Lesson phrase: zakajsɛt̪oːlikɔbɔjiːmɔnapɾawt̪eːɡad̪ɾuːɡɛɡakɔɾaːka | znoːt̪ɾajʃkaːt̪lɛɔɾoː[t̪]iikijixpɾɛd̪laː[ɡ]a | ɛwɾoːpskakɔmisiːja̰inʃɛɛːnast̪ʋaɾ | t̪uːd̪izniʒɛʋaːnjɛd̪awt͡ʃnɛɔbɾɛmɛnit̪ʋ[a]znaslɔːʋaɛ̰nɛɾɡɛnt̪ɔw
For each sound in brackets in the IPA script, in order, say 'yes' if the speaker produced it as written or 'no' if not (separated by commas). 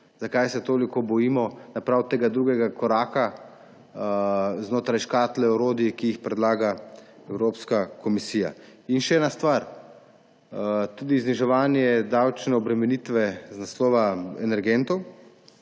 no, yes, no